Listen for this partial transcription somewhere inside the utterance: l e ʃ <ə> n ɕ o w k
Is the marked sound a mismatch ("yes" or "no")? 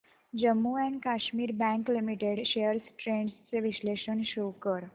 no